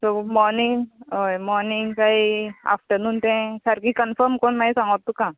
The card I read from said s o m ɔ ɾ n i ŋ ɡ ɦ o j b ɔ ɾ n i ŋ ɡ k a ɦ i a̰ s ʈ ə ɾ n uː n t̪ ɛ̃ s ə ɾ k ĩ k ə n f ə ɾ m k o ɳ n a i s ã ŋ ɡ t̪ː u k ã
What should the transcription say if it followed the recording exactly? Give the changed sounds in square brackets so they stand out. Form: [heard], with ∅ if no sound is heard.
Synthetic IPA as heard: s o m ɔ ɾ n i ŋ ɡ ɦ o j [m] ɔ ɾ n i ŋ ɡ k a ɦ i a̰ [f] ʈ ə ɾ n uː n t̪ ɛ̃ s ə ɾ k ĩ k ə n f ə ɾ m k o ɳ [m] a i s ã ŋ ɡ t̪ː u k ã